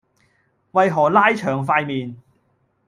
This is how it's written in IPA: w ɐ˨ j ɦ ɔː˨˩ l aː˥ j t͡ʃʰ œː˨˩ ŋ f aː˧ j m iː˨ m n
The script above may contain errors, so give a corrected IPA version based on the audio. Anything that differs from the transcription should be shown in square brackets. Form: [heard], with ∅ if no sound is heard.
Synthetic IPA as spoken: w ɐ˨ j ɦ ɔː˨˩ l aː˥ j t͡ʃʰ œː˨˩ ŋ f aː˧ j m iː˨ [∅] n